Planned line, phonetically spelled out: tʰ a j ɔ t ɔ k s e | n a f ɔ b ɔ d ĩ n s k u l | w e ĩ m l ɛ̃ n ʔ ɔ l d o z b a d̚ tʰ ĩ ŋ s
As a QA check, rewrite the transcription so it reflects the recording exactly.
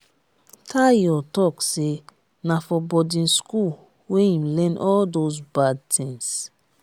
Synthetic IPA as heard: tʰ a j ɔ t ɔ k s e | n a f ɔ b ɔ d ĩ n s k u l | w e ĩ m l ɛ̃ n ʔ ɔ l d o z b a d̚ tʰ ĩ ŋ s